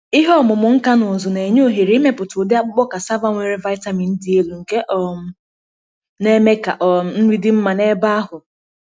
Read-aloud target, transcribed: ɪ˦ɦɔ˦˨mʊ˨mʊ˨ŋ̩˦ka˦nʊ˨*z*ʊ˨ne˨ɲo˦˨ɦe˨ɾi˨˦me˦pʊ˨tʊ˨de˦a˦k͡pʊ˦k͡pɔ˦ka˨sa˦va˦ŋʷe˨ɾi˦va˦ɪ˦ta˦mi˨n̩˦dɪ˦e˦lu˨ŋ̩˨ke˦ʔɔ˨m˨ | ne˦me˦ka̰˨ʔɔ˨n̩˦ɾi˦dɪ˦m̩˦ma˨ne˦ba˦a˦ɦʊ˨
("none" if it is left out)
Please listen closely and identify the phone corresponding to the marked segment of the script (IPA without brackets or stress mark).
z